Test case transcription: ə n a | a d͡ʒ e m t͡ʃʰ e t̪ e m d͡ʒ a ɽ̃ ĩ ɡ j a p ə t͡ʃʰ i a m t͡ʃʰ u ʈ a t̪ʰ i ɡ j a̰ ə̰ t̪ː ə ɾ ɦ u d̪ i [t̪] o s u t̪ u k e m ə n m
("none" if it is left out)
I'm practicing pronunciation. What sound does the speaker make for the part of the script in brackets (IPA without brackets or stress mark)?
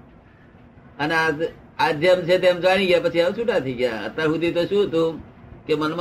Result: t̪